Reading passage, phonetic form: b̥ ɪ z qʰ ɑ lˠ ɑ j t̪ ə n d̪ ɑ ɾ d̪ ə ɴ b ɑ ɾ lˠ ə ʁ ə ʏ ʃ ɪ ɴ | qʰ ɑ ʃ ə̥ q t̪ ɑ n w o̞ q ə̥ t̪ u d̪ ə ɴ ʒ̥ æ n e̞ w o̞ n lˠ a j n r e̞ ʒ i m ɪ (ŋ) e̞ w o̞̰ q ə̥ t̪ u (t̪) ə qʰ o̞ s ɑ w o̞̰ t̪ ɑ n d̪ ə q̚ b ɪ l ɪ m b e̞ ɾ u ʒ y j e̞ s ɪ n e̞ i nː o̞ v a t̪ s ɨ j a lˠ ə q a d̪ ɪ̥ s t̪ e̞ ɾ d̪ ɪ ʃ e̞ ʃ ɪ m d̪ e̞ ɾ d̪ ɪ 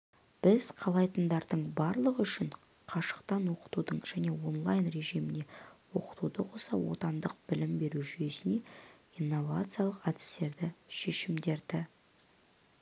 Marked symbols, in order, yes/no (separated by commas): no, no